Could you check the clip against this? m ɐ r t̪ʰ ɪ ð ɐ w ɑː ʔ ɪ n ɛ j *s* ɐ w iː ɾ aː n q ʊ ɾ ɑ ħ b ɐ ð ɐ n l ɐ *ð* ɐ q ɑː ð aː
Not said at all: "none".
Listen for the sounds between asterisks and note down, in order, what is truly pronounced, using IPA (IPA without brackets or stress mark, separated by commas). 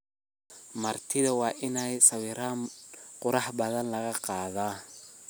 s, ɣ